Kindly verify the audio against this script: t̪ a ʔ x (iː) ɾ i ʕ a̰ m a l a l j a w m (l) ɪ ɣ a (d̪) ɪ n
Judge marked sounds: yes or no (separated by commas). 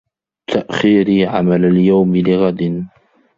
yes, yes, yes